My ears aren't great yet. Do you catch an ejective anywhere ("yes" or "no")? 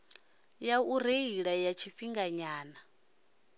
no